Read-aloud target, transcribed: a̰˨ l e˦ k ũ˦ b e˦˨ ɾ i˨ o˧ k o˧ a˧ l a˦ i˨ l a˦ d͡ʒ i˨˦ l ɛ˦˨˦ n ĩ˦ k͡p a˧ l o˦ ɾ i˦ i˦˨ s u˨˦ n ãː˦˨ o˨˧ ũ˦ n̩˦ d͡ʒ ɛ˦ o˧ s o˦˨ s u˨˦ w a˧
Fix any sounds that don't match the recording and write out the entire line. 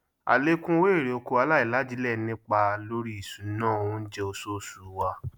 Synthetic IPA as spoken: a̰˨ l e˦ k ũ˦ w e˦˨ ɾ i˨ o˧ k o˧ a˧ l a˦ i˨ l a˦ d͡ʒ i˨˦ l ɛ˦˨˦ n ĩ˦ k͡p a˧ l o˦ ɾ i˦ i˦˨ s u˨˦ n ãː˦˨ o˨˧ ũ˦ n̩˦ d͡ʒ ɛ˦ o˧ s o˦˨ s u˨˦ w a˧

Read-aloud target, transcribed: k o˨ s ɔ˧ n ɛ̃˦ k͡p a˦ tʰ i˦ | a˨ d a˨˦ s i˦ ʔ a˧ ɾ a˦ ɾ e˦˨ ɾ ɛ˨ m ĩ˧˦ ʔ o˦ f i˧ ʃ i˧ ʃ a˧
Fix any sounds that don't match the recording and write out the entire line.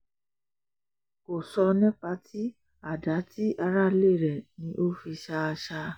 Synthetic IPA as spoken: k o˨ s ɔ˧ n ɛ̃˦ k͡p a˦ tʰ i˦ | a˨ d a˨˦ t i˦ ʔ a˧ ɾ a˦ l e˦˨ ɾ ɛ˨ n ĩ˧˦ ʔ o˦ f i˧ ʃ a˧ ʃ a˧

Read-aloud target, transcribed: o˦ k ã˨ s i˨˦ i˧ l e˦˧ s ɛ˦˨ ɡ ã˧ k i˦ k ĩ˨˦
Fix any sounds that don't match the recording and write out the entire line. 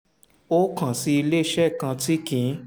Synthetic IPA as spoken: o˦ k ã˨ s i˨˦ i˧ l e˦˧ ʃ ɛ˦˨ k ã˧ t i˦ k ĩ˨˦

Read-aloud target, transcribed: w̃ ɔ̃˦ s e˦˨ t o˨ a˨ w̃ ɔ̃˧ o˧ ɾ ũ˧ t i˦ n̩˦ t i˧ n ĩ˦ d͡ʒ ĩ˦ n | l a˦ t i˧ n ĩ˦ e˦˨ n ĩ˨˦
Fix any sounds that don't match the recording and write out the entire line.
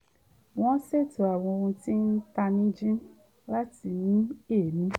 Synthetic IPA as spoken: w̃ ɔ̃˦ s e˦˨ t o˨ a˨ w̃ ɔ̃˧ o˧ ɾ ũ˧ t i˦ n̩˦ t a˧ n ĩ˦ d͡ʒ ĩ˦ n | l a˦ t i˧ n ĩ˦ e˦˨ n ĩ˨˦

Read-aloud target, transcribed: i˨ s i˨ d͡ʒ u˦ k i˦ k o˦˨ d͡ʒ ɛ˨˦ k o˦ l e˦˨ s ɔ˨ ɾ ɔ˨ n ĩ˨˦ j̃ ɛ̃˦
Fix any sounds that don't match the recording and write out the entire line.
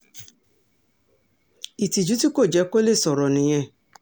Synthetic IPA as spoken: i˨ t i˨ d͡ʒ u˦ t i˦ k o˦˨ d͡ʒ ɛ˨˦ k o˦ l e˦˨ s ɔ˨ ɾ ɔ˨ n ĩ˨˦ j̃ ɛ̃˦

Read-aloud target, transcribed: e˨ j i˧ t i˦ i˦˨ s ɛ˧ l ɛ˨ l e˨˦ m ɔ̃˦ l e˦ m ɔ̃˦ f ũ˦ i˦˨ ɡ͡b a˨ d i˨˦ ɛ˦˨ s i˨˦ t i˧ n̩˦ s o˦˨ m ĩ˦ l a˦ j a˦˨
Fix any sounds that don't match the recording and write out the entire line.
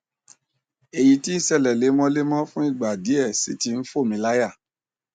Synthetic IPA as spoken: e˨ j i˧ t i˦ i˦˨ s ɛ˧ l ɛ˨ l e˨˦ m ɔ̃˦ l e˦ m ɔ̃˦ f ũ˦ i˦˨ ɡ͡b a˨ d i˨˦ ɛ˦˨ s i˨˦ t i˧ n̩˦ f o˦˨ m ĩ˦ l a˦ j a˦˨

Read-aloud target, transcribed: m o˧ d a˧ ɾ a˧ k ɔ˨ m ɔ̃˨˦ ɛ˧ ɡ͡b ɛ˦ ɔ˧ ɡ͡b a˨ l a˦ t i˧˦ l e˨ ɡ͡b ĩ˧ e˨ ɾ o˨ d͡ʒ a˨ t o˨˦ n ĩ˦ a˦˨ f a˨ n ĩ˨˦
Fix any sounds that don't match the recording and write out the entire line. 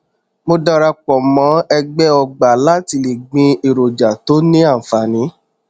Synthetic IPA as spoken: m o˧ d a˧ ɾ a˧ k͡p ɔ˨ m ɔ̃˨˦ ɛ˧ ɡ͡b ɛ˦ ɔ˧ ɡ͡b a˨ l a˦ t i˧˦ l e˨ ɡ͡b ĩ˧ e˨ ɾ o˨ d͡ʒ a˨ t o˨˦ n ĩ˦ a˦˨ f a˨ n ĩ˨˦

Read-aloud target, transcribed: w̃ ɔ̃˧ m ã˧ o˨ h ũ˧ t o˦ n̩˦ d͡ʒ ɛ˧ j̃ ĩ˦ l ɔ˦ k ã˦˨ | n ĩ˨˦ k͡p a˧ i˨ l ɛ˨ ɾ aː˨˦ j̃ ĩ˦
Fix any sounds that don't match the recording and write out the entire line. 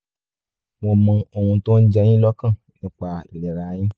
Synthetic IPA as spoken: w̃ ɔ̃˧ m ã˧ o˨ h ũ˧ t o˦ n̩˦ d͡ʒ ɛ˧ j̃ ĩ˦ l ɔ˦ k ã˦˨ | n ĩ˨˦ k͡p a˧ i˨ l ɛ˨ ɾ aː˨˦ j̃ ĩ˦

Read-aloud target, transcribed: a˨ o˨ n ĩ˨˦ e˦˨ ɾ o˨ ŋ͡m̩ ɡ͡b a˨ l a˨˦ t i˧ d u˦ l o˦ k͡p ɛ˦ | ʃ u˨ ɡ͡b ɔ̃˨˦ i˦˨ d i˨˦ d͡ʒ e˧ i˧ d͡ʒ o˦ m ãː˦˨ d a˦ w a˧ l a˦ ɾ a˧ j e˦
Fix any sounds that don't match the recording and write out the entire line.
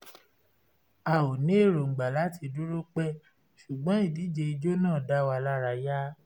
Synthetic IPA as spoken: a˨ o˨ n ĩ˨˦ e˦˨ ɾ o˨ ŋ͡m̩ ɡ͡b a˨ l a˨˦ t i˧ d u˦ ɾ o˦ k͡p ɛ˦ | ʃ u˨ ɡ͡b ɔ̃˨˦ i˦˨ d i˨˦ d͡ʒ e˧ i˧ d͡ʒ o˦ n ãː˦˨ d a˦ w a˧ l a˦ ɾ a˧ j a˦

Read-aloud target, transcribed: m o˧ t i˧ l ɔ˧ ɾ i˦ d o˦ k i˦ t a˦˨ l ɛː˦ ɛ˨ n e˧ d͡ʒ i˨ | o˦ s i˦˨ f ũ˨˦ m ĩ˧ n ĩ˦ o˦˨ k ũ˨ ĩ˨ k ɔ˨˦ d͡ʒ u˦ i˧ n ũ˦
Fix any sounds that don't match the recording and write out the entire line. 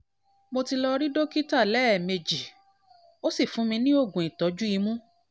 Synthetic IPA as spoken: m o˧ t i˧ l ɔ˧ ɾ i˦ d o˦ k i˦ t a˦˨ l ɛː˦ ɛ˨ m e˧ d͡ʒ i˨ | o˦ s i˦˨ f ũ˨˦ m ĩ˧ n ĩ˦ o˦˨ ɡ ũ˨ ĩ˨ t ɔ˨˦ d͡ʒ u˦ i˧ m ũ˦

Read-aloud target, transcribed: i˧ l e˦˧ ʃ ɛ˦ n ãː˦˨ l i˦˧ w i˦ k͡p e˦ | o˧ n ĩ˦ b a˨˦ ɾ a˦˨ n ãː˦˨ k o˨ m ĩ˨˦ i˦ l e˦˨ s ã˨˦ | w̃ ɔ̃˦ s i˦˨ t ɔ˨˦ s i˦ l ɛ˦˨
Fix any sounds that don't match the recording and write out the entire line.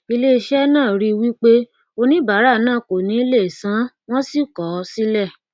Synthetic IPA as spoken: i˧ l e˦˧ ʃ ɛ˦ n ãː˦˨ ɾ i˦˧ w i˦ k͡p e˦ | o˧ n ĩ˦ b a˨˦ ɾ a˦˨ n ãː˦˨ k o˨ n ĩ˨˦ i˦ l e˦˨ s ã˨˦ | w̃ ɔ̃˦ s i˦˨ k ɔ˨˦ s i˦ l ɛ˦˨

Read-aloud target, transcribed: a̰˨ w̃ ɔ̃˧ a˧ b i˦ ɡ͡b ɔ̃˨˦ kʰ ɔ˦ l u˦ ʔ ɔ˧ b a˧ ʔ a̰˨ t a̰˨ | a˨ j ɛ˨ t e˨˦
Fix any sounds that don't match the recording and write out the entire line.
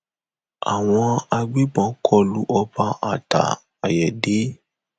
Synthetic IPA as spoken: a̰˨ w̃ ɔ̃˧ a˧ ɡ͡b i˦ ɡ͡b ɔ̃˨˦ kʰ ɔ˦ l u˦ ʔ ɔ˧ b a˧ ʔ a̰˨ t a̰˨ | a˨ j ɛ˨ d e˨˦

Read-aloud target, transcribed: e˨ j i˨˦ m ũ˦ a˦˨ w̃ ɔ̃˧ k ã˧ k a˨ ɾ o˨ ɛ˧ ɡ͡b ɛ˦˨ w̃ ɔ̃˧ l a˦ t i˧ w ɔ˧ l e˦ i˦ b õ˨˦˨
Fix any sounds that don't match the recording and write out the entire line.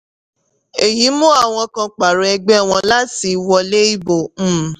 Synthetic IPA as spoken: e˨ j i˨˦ m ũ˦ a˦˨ w̃ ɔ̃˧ k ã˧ k͡p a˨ ɾ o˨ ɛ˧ ɡ͡b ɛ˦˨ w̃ ɔ̃˧ l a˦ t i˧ w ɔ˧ l e˦ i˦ b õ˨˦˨

